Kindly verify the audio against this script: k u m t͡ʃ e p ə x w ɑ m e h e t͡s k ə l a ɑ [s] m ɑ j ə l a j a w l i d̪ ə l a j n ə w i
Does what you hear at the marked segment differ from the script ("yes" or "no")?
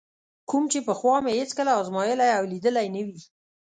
yes